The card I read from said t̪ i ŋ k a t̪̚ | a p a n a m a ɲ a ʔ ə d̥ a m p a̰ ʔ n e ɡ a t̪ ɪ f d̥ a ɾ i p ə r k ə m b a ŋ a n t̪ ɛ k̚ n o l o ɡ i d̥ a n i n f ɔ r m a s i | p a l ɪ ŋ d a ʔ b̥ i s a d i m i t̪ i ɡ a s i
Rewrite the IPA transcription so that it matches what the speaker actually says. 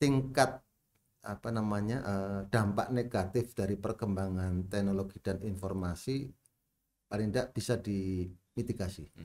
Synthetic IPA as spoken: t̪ i ŋ k a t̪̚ | a p a n a m a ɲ a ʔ ə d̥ a m p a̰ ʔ n e ɡ a t̪ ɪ f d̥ a ɾ i p ə r k ə m b a ŋ a n t̪ ɛ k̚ n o l o ɡ i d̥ a n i n f ɔ r m a s i | p a l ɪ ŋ d a ʔ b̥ i s a d i m i t̪ i ɡ a s i